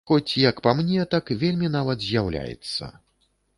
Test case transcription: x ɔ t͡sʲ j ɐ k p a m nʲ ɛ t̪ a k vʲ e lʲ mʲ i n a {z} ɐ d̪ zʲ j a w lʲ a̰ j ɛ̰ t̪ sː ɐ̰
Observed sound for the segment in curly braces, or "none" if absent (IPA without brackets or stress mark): v